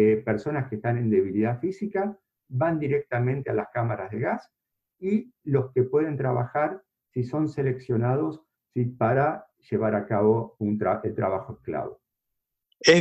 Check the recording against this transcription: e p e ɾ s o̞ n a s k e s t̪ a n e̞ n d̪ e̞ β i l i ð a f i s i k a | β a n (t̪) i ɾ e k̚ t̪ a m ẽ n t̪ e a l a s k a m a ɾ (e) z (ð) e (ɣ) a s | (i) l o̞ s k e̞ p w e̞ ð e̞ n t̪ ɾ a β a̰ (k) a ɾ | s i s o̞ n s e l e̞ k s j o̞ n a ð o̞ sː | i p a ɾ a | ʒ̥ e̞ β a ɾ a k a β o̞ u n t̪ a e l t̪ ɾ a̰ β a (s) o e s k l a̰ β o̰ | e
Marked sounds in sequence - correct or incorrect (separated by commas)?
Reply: incorrect, incorrect, correct, correct, correct, incorrect, incorrect